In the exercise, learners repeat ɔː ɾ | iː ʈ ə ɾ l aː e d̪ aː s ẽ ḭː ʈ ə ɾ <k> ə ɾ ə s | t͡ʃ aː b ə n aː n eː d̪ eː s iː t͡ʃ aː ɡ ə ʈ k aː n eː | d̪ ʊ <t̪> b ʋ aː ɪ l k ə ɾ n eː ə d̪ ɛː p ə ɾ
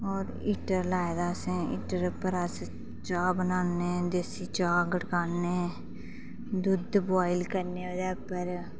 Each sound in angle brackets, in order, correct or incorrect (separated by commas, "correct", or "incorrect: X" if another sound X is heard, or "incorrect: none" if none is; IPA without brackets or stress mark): incorrect: p, incorrect: d̪